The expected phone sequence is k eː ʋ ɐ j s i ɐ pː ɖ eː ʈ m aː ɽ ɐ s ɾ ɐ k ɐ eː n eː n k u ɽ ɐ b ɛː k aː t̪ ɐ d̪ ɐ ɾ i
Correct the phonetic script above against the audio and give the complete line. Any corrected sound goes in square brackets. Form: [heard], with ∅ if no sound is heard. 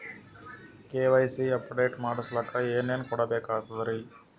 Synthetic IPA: k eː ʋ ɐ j s i ɐ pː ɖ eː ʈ m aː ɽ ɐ s [l] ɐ k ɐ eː n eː n k [ɔ] ɽ ɐ b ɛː k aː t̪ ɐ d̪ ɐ ɾ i